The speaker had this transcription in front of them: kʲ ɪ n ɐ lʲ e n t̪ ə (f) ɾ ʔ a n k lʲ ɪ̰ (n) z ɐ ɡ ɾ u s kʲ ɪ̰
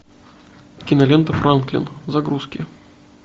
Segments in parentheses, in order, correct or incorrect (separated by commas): correct, correct